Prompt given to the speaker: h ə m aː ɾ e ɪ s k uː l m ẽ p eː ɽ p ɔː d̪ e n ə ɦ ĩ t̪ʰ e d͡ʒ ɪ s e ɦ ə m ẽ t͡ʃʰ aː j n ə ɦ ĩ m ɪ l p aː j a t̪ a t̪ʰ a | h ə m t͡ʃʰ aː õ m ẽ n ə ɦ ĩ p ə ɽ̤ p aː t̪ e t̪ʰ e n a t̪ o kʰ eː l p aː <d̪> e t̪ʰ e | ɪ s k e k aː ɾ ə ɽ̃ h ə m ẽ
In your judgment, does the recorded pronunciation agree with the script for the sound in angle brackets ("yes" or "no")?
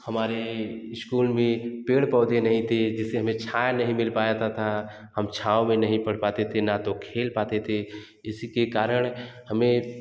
no